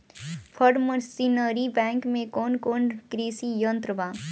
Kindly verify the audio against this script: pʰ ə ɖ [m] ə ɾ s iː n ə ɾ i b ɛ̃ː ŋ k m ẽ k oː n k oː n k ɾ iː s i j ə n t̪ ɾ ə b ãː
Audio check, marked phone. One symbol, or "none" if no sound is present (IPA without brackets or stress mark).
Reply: m